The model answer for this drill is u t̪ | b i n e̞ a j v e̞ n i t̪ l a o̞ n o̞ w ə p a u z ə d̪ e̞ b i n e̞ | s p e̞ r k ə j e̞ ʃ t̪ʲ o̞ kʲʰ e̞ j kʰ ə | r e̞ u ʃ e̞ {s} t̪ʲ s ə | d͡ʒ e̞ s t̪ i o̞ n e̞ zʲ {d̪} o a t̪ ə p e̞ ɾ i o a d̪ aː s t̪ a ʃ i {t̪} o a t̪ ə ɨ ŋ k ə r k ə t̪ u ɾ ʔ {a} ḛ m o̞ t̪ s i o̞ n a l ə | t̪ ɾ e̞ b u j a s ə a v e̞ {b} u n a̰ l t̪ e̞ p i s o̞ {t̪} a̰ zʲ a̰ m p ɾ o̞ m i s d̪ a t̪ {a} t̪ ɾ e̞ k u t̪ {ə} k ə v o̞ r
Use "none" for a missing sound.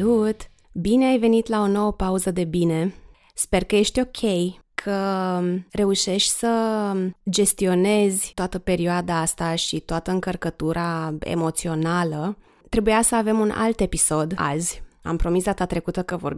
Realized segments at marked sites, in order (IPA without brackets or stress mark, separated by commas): ʃ, t̪, t̪, a, m, d̪, a, ə